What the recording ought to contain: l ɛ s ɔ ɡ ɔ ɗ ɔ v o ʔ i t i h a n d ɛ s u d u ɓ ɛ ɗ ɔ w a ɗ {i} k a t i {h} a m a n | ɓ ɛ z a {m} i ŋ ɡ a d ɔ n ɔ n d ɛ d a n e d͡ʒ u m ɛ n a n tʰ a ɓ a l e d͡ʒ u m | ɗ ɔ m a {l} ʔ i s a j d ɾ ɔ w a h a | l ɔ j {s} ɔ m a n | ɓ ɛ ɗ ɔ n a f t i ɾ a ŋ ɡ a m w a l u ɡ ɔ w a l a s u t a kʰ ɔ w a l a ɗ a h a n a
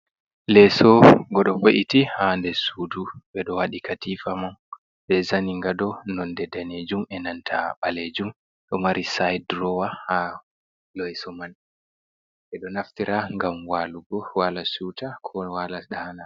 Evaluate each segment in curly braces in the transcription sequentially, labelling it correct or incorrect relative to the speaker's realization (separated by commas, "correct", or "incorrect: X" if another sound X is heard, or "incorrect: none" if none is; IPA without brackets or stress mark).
correct, incorrect: f, incorrect: n, incorrect: ɾ, correct